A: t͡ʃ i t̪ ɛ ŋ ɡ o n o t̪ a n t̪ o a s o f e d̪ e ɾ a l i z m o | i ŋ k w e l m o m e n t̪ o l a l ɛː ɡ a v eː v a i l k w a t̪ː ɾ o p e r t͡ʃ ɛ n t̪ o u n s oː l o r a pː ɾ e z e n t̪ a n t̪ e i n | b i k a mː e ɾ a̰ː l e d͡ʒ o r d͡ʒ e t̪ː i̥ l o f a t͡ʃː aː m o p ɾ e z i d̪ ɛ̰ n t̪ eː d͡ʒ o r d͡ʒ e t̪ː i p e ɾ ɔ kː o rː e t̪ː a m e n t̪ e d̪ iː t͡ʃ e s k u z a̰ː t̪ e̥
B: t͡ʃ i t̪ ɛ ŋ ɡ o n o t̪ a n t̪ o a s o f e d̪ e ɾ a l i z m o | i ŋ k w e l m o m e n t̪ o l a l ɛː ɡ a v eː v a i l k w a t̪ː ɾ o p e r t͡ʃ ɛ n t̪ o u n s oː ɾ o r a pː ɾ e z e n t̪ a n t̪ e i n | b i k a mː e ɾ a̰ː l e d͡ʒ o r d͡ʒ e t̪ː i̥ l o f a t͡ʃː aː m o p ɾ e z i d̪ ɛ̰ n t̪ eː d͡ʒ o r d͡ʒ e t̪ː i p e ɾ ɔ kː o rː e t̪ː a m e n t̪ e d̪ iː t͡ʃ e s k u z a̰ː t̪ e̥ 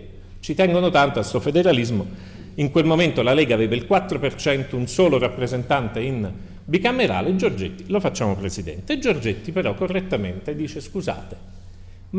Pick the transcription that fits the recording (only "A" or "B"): A